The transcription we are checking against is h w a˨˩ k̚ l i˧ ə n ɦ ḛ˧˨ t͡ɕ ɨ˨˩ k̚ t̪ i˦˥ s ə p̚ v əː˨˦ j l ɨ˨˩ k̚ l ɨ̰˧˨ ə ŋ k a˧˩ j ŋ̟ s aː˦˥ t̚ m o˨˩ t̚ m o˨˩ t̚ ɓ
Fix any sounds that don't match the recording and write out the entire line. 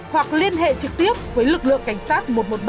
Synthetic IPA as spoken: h w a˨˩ k̚ l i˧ ə n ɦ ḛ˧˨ t͡ɕ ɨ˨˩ k̚ t̪ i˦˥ ə p̚ v əː˨˦ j l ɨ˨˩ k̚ l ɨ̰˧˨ ə ŋ k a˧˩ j ŋ̟ s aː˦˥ t̚ m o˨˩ t̚ m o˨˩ t̚ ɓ